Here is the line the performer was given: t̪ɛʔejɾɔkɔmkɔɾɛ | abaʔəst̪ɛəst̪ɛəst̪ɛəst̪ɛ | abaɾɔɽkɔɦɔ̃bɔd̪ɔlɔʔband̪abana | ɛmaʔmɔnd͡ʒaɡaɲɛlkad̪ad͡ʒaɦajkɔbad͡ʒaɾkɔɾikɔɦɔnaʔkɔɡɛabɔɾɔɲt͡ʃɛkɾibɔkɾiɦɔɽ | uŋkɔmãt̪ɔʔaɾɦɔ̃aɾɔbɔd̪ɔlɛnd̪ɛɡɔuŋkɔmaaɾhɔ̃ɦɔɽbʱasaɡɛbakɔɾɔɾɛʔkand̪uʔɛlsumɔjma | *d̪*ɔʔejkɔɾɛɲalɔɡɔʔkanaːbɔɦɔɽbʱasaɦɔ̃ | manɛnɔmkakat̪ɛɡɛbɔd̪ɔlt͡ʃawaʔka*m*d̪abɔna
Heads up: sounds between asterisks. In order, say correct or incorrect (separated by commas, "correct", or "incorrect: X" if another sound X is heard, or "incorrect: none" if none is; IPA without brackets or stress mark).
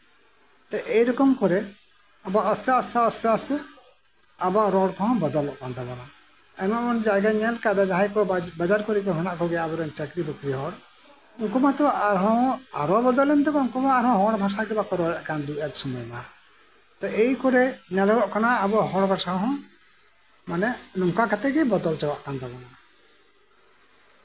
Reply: incorrect: t̪, incorrect: n